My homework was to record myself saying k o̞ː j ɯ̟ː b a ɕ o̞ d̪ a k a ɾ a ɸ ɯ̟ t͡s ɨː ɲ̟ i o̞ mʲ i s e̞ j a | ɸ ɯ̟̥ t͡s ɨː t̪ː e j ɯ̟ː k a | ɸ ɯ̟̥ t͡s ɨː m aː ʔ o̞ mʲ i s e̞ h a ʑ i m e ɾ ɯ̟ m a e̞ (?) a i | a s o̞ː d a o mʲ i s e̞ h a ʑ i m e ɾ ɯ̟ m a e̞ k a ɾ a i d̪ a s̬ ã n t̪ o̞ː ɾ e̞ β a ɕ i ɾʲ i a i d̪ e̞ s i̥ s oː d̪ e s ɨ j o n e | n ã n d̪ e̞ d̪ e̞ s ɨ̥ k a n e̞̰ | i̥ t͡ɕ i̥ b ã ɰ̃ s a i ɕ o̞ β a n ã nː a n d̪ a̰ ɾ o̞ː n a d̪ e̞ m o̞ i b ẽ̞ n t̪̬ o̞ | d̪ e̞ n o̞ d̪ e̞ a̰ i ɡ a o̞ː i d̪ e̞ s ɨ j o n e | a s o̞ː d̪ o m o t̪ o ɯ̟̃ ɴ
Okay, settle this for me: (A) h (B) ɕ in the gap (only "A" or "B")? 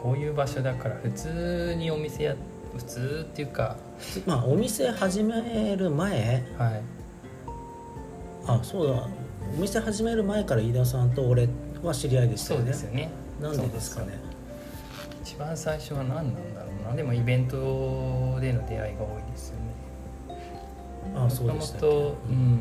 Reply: A